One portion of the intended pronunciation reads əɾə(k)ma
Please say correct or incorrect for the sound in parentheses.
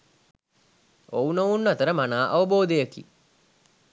incorrect